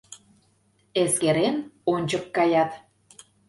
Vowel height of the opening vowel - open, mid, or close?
mid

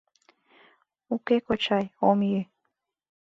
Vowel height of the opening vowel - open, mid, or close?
close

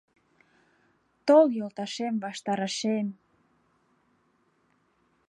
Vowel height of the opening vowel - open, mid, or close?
mid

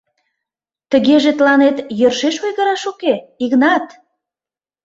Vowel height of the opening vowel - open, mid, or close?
mid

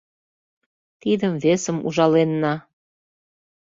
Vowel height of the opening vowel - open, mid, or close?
close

